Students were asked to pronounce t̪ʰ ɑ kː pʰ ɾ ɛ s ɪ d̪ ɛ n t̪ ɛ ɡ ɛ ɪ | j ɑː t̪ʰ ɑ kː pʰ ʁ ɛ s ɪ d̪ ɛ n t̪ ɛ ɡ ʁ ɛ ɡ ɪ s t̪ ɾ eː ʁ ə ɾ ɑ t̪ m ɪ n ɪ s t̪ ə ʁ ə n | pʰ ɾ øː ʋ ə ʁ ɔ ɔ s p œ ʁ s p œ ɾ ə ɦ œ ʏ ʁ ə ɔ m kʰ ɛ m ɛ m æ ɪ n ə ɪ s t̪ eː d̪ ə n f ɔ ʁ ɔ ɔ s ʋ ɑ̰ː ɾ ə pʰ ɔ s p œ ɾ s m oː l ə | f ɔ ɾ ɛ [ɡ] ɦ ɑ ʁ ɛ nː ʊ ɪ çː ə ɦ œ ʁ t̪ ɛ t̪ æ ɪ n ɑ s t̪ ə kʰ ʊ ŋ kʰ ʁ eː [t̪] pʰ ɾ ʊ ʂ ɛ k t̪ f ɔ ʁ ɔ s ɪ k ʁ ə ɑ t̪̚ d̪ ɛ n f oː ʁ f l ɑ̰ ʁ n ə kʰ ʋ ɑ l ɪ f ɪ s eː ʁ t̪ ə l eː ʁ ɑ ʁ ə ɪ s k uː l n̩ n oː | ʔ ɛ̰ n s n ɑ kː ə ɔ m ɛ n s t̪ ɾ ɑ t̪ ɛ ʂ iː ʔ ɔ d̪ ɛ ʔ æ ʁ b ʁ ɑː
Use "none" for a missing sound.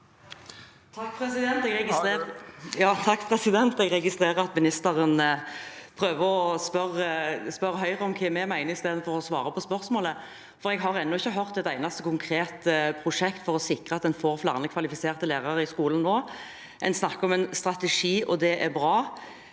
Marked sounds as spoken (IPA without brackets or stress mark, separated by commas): ɡ, t̪